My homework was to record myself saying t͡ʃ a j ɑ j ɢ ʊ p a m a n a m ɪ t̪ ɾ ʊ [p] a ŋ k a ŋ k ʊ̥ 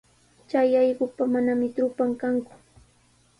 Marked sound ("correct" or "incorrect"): correct